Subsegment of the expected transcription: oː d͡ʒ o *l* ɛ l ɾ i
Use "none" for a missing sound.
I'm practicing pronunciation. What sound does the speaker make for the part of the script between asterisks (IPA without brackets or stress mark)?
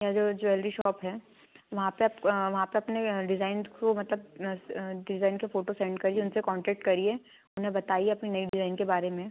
none